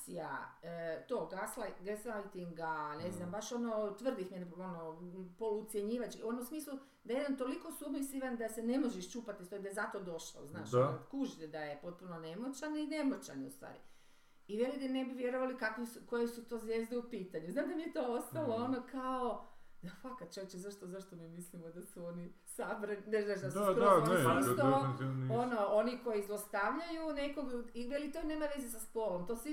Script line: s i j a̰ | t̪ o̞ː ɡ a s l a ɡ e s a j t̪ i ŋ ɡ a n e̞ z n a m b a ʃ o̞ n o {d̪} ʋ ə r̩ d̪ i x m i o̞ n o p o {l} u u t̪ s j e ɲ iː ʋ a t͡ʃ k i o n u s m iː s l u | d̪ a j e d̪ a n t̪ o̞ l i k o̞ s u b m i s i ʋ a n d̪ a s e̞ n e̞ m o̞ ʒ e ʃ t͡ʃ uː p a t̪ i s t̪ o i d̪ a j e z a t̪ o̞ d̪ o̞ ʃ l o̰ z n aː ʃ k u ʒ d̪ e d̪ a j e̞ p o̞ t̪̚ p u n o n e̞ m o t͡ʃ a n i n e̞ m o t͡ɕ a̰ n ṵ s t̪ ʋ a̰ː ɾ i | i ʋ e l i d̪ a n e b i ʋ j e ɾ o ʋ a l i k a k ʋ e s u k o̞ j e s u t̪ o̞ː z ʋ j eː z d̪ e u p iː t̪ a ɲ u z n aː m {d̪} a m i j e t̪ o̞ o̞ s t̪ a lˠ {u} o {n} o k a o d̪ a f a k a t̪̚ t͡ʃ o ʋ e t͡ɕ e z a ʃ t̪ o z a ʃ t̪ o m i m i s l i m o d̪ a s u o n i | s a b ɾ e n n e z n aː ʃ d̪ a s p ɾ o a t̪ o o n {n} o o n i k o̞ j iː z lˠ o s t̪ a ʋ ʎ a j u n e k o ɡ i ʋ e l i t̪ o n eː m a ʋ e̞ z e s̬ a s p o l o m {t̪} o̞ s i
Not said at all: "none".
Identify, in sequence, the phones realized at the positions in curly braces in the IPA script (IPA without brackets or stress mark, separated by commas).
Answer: t̪, l, d̪, o, n, n, t̪